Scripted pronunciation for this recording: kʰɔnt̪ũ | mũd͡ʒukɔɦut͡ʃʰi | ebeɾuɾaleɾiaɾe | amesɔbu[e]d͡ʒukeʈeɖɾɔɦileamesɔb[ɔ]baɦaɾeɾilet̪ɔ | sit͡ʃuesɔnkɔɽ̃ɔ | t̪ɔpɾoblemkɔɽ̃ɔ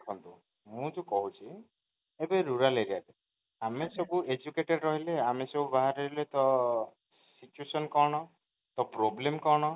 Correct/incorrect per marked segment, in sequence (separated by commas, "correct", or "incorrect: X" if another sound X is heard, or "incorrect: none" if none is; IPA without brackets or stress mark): correct, incorrect: u